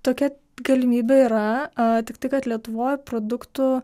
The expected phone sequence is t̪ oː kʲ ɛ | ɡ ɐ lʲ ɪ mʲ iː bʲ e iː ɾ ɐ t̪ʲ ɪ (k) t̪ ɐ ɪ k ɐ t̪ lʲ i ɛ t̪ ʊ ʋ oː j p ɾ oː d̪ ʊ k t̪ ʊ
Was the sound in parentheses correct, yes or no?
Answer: yes